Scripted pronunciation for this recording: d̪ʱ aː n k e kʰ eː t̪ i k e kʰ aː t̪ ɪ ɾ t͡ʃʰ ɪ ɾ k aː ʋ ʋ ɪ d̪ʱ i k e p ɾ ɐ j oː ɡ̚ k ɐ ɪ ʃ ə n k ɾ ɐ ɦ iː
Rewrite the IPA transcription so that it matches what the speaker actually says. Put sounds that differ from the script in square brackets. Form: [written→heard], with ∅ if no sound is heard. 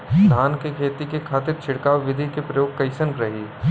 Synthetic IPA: d̪ʱ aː n k e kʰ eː t̪ i k e kʰ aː t̪ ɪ ɾ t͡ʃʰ ɪ [ɾ→ɽ] k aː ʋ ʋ ɪ d̪ʱ i k e p ɾ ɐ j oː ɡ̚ k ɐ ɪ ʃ ə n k ɾ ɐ ɦ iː